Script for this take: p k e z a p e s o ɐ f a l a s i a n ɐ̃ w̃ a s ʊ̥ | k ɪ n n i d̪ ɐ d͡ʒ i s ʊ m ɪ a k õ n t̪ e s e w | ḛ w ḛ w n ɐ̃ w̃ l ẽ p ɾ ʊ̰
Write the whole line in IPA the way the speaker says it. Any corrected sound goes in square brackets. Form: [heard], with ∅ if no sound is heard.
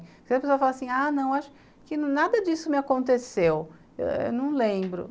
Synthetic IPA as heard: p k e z [ɐ] p e s o ɐ f a l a s [ĩ] a n ɐ̃ w̃ a [ʃ] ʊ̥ | k ɪ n n [a] d̪ ɐ d͡ʒ i s ʊ m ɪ a k õ n t̪ e s e w | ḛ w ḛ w n ɐ̃ w̃ l ẽ [b] ɾ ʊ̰

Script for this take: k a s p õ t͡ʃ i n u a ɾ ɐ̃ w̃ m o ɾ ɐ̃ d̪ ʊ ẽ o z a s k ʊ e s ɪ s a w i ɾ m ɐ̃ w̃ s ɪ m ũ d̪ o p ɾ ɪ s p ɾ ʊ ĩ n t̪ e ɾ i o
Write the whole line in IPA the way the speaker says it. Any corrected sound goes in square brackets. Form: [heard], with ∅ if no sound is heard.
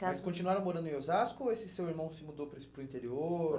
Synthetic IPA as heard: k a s [k] õ t͡ʃ i n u a ɾ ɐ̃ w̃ m o ɾ ɐ̃ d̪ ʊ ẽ o z a s k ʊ e s ɪ s [e] w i ɾ m ɐ̃ w̃ s ɪ m [u] d̪ o p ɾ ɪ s p ɾ ʊ ĩ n t̪ e ɾ i o

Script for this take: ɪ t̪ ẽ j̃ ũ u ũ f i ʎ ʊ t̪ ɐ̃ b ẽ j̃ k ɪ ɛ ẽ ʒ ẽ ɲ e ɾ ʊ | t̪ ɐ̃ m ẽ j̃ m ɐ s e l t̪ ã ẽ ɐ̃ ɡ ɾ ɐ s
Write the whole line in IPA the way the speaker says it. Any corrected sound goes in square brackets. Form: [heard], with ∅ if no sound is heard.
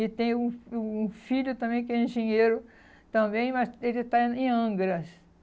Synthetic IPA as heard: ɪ t̪ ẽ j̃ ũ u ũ f i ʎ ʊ t̪ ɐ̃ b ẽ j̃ k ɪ ɛ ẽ ʒ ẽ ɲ e ɾ ʊ | t̪ ɐ̃ [b] ẽ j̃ m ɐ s e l t̪ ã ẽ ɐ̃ ɡ ɾ ɐ s

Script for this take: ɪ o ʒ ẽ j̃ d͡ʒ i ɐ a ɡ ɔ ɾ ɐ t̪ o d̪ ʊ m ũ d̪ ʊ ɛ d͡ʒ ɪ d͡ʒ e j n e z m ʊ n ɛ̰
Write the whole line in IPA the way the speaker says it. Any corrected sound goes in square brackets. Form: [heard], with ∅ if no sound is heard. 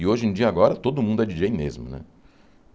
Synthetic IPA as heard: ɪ o ʒ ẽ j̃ d͡ʒ i ɐ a ɡ ɔ ɾ ɐ t̪ o d̪ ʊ m ũ d̪ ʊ ɛ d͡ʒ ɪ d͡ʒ e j [m] e z m ʊ n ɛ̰

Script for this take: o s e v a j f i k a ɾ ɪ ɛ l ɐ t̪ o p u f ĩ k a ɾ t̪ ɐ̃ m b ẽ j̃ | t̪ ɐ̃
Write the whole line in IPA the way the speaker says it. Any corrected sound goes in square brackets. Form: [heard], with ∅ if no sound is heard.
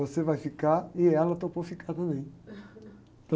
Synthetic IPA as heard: o s e v a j f i k a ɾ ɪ ɛ l ɐ t̪ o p [o] f [i] k a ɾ t̪ ɐ̃ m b ẽ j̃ | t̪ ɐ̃

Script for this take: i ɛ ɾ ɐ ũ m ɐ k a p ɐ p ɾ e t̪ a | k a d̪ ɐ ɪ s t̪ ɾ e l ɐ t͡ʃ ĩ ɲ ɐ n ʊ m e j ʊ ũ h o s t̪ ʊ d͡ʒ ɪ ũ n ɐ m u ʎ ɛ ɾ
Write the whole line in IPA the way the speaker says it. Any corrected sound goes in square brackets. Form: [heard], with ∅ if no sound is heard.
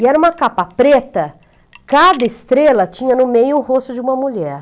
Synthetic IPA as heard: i ɛ ɾ ɐ ũ m ɐ k a p ɐ p ɾ e t̪ [ɐ] | k a d̪ ɐ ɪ s t̪ ɾ e l ɐ t͡ʃ ĩ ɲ ɐ n ʊ m e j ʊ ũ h o s t̪ ʊ d͡ʒ ɪ ũ [m] ɐ m u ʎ ɛ ɾ

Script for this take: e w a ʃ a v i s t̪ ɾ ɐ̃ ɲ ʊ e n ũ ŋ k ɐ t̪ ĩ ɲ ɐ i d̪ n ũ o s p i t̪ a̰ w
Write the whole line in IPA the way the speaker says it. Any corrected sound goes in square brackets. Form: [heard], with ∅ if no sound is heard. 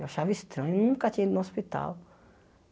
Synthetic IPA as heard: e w a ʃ a v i s t̪ ɾ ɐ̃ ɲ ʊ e n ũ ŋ k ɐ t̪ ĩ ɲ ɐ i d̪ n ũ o s p i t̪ a̰ w

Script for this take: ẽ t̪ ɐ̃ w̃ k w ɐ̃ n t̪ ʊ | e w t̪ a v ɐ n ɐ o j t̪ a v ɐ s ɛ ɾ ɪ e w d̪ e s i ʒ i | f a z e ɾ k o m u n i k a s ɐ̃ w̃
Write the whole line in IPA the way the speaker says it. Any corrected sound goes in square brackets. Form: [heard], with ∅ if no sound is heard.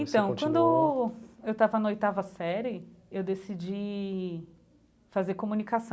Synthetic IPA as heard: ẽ t̪ ɐ̃ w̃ k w ɐ̃ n [d̪] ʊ | e w t̪ a v ɐ n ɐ o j t̪ a v ɐ s ɛ ɾ ɪ e w d̪ e s i [d͡ʒ] i | f a z e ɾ k o m u n i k a s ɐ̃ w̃

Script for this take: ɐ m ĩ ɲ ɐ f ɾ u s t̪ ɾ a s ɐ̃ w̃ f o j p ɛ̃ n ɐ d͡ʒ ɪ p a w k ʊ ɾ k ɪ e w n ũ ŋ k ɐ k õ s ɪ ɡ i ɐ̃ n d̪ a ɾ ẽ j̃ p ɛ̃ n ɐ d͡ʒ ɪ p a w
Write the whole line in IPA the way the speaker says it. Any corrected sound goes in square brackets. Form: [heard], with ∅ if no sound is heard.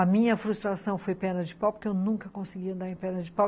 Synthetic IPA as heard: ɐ m ĩ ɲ ɐ f ɾ u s t̪ ɾ a s ɐ̃ w̃ f o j p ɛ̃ n ɐ d͡ʒ ɪ p a w [p] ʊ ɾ k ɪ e w n ũ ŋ k ɐ k õ s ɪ ɡ i ɐ̃ n d̪ a ɾ ẽ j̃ p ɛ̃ n ɐ d͡ʒ ɪ p a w

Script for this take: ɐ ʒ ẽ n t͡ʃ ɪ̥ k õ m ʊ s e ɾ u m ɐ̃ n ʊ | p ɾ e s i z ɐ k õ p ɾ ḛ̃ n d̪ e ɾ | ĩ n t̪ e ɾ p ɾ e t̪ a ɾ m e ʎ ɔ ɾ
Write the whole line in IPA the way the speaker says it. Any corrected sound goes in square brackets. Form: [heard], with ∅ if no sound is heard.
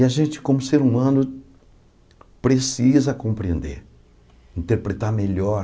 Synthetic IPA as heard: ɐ ʒ ẽ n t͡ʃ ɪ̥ k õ m ʊ s e ɾ u m ɐ̃ n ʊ | p ɾ e s i z ɐ k õ p ɾ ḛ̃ n d̪ e ɾ | ĩ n t̪ e ɾ p ɾ e t̪ a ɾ m e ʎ ɔ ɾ

